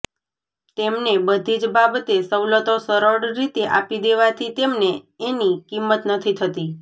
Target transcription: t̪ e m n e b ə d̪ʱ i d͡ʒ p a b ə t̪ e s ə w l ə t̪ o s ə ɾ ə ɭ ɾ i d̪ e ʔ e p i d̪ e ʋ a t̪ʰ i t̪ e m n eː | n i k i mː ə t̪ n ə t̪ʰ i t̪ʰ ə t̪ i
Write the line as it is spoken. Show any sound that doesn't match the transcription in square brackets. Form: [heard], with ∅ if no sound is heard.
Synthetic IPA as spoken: t̪ e m n e b ə d̪ʱ i d͡ʒ [b] a b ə t̪ e s ə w l ə t̪ o s ə ɾ ə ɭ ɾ i [t̪] e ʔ [a] p i d̪ e ʋ a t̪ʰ i t̪ e m n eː | n i k i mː ə t̪ n ə t̪ʰ i t̪ʰ ə t̪ i